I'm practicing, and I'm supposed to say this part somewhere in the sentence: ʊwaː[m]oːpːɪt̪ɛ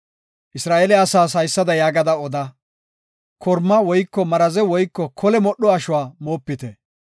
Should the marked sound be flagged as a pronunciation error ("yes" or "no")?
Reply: no